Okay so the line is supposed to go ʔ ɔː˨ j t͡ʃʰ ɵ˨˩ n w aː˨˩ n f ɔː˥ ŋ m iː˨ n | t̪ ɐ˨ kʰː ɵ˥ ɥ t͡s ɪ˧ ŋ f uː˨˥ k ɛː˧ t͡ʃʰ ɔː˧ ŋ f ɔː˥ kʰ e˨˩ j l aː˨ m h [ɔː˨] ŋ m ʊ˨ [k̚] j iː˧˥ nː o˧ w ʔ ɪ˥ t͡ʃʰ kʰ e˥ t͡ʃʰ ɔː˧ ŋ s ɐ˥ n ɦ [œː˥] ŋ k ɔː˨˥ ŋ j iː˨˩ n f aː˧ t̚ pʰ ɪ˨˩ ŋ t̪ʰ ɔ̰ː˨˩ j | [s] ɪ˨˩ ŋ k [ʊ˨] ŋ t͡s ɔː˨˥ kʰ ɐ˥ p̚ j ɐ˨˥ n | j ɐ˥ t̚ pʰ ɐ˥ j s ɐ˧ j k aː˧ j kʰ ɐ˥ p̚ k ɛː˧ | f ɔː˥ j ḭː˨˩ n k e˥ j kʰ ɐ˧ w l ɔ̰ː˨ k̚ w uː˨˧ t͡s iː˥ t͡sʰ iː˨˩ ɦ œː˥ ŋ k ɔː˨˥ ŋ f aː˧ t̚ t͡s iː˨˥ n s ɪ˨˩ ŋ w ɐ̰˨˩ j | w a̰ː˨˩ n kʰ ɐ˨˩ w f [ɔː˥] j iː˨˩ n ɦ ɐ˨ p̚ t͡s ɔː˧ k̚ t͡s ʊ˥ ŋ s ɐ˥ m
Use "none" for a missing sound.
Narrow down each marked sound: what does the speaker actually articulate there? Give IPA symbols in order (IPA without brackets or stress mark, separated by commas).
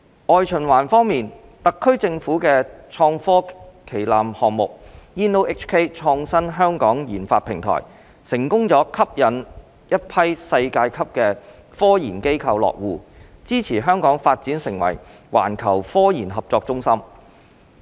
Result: ɔː˨, k̚, œː˥, s, ʊ˥, ɔː˥